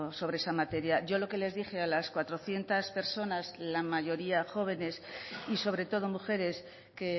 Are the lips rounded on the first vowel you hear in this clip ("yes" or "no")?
yes